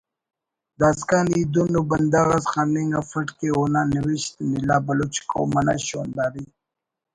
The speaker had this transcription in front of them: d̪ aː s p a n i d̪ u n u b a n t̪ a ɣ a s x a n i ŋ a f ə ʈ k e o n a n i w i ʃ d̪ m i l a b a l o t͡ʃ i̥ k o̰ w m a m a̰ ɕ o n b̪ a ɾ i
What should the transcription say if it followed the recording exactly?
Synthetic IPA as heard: d̪ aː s k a n i d̪ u n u b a n d̪ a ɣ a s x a n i ŋ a f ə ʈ k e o n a n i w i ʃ t̪ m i l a b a l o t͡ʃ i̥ k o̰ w m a n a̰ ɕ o n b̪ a ɾ i